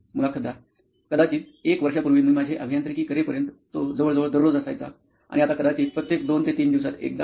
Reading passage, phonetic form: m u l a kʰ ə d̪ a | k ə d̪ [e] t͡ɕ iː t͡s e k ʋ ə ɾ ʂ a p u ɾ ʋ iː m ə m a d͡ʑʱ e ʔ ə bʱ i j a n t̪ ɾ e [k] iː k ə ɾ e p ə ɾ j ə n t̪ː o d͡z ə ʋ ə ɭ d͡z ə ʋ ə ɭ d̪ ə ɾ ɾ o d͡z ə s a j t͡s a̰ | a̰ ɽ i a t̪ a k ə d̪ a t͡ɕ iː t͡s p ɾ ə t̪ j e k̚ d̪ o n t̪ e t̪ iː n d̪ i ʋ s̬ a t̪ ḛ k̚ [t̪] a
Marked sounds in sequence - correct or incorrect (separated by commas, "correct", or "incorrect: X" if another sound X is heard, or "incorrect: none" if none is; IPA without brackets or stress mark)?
incorrect: a, correct, incorrect: d̪